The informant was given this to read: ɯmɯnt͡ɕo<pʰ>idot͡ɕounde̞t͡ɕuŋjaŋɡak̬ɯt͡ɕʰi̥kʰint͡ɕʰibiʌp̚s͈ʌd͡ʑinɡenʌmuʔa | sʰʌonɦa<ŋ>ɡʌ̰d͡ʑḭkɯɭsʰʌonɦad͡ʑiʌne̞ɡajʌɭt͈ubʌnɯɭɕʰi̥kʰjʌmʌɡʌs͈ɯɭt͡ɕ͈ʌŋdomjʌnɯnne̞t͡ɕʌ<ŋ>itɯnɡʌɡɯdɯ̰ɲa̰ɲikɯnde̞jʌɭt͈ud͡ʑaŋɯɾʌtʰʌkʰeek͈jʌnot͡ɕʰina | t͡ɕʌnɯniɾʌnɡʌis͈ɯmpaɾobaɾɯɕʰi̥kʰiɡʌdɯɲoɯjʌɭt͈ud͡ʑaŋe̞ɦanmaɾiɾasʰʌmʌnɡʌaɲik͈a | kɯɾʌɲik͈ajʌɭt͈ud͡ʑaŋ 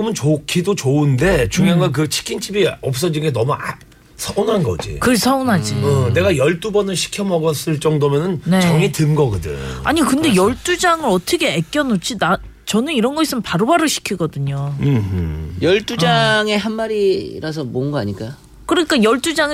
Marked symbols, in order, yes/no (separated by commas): no, no, yes